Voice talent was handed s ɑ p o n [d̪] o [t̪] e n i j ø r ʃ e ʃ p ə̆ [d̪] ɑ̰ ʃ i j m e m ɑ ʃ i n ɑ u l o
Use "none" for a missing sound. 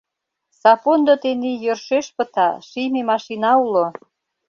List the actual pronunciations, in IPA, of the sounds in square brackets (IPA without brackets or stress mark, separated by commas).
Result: d̪, t̪, t̪